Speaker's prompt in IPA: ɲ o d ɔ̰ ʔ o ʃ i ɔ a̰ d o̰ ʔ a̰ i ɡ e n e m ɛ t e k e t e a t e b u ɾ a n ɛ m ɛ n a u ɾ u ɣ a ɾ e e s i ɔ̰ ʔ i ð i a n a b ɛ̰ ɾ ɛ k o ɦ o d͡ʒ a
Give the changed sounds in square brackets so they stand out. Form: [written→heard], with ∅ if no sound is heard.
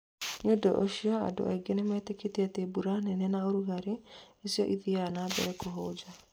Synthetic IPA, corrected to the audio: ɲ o d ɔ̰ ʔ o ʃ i ɔ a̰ d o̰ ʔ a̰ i ɡ e n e m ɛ t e k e t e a t e b u ɾ a n ɛ [m→n] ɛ n a [u→o] ɾ u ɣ a ɾ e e s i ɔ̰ ʔ i ð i a n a b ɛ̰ ɾ ɛ k o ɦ o d͡ʒ a